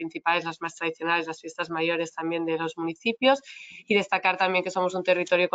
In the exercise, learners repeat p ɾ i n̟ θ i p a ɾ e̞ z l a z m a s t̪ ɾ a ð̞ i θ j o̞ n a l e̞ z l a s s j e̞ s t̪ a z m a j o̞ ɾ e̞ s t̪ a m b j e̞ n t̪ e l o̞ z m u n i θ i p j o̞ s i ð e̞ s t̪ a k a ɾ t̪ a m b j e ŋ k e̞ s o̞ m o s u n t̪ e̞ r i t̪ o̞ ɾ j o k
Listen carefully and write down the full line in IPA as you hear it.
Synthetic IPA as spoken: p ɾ i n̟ θ i p a l e̞ z l a z m a s t̪ ɾ a ð̞ i θ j o̞ n a l e̞ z l a s f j e̞ s t̪ a z m a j o̞ ɾ e̞ s t̪ a m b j e̞ n d̪ e l o̞ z m u n i θ i p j o̞ s i ð e̞ s t̪ a k a ɾ t̪ a m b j e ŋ k e̞ s o̞ m o s u n t̪ e̞ r i t̪ o̞ ɾ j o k